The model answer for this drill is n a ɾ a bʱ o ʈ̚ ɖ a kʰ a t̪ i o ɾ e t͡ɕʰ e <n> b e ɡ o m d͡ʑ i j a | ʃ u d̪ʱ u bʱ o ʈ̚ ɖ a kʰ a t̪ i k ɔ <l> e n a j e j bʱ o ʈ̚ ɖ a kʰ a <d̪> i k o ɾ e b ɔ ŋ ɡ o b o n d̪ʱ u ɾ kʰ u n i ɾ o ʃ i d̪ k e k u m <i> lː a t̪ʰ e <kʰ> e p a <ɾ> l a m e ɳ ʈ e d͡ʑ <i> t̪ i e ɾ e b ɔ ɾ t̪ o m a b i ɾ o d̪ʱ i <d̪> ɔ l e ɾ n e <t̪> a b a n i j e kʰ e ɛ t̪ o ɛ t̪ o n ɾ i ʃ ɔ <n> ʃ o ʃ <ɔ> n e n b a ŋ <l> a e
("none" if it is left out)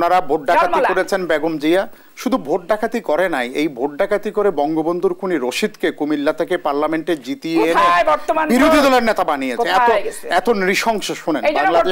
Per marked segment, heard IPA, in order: n, ɾ, t̪, i, k, ɾ, i, d̪, t̪, ŋ, u, l

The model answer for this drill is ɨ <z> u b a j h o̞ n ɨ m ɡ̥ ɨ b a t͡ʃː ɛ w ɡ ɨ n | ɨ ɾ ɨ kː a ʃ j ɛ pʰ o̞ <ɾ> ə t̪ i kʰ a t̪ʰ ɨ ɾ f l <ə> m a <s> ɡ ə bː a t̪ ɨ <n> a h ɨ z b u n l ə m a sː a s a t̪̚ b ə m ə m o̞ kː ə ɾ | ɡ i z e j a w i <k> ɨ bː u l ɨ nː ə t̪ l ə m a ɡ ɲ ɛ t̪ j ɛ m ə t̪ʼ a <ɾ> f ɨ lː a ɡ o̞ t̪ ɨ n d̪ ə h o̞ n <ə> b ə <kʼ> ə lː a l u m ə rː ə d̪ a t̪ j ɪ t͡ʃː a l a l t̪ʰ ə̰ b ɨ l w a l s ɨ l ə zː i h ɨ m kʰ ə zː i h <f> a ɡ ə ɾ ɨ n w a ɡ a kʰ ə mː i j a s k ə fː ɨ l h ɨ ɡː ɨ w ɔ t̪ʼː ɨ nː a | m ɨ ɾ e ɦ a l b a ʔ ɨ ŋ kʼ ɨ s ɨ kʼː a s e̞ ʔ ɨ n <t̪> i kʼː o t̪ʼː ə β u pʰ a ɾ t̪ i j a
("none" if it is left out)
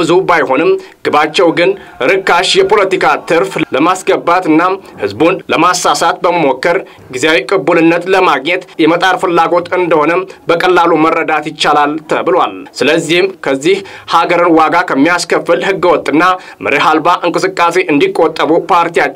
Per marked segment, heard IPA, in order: z, l, ə, s, nː, kʼ, ɾ, ə, kʼ, h, d̪

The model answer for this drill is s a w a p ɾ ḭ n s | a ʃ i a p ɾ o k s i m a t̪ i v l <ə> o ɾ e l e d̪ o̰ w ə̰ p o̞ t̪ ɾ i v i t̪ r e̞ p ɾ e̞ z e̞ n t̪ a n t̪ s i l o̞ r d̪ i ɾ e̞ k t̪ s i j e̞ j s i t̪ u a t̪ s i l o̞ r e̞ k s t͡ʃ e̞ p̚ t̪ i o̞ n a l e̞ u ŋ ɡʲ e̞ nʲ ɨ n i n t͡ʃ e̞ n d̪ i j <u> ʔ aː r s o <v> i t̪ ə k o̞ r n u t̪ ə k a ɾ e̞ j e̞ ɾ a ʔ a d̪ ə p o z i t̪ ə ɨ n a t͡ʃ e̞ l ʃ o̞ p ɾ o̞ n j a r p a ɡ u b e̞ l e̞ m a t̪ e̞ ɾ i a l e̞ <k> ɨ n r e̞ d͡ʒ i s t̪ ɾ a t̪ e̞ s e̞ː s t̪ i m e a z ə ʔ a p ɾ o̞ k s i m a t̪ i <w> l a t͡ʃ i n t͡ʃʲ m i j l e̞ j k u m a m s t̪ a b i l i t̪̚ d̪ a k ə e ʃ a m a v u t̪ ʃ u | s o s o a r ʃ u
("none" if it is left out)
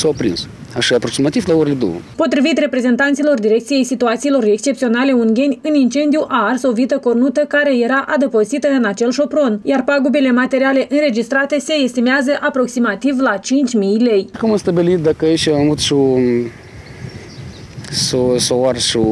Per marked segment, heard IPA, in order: a, u, v, ʔ, v

